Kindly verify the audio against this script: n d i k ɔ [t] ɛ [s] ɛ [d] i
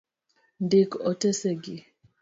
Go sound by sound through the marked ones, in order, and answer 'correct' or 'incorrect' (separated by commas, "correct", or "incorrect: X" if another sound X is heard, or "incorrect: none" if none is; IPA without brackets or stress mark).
correct, correct, incorrect: ɡ